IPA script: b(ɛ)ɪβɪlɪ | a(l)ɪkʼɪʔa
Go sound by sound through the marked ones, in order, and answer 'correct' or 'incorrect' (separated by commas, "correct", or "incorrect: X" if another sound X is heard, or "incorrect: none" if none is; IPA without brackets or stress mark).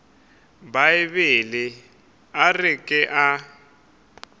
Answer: incorrect: a, incorrect: r